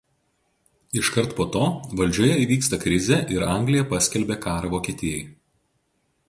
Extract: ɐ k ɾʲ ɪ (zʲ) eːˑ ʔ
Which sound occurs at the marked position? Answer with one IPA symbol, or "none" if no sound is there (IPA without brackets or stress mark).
zʲ